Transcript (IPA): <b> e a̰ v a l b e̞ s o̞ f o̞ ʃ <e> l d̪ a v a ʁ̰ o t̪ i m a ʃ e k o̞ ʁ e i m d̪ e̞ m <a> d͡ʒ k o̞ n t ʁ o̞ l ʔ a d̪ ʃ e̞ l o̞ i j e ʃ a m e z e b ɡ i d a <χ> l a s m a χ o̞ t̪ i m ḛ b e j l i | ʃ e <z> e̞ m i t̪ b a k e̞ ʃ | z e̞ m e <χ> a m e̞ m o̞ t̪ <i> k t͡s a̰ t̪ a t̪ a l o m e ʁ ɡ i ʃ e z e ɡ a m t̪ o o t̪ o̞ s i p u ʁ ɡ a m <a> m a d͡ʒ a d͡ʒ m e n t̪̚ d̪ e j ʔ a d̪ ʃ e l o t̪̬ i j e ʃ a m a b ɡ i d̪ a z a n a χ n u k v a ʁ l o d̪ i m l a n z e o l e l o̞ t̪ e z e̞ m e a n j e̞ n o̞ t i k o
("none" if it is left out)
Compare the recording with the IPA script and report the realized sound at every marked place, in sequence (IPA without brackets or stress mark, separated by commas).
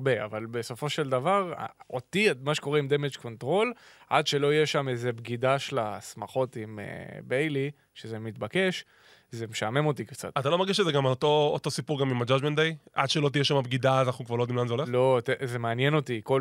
b, e, e, ʃ, z, ʃ, i, i